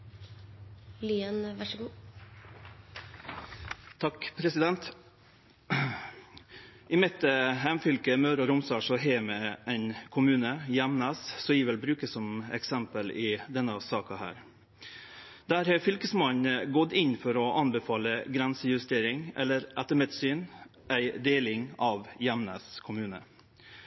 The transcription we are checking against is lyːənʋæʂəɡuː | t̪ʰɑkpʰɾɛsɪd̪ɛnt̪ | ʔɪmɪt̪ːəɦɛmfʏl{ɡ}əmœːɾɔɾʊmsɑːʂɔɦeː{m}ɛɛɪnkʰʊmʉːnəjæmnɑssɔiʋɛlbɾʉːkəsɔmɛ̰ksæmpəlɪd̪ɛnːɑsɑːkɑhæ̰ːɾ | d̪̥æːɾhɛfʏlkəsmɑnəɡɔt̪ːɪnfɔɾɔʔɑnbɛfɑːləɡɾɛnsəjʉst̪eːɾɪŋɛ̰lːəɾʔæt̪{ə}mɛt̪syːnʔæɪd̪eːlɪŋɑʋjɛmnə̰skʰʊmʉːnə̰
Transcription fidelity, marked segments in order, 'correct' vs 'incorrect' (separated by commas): incorrect, correct, correct